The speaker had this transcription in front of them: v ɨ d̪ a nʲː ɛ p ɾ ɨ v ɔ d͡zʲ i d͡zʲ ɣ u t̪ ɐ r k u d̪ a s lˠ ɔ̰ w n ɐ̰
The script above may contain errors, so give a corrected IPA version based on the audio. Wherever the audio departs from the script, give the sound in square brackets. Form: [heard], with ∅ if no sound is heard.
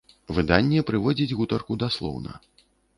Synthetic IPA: v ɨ d̪ a nʲː ɛ p ɾ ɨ v ɔ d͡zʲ i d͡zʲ ɣ u t̪ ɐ r k u d̪ a s lˠ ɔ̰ w n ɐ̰